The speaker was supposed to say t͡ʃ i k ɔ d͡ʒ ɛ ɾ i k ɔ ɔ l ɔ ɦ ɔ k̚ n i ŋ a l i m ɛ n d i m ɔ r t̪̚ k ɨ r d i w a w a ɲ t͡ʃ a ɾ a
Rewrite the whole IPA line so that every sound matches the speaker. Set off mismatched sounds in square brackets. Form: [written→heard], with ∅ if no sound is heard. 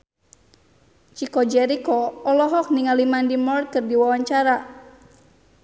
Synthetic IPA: t͡ʃ i k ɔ d͡ʒ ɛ ɾ i k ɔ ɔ l ɔ ɦ ɔ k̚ n i ŋ a l i m [ɛ→a] n d i m ɔ r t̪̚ k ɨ r d i w a w a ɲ t͡ʃ a ɾ a